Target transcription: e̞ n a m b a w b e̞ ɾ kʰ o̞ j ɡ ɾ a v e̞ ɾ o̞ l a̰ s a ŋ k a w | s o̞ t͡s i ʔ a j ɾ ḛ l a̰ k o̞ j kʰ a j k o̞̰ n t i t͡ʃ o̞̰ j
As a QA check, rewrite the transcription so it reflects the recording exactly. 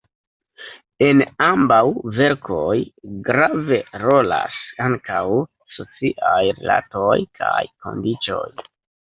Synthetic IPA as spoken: e̞ n a m b a w v e̞ ɾ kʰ o̞ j ɡ ɾ a v e̞ ɾ o̞ l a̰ s a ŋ k a w | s o̞ t͡s i ʔ a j ɾ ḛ l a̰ t o̞ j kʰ a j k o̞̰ n d i t͡ʃ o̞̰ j